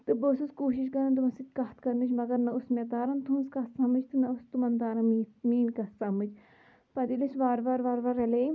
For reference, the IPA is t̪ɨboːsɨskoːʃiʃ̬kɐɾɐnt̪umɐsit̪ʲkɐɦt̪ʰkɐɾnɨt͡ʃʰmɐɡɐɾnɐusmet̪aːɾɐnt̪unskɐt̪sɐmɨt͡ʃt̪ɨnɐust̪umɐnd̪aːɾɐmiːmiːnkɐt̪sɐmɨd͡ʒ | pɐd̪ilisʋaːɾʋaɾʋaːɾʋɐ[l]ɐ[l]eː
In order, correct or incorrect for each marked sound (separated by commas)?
incorrect, correct